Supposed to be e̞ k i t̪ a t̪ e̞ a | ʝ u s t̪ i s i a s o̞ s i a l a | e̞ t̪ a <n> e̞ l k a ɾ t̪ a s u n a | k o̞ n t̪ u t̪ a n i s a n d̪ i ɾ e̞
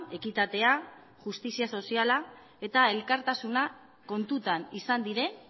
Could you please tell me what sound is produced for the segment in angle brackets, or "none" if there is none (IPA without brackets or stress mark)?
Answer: none